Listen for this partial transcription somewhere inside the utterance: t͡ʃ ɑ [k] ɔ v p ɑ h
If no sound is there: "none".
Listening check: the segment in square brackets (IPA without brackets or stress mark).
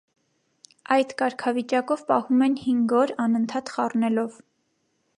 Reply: k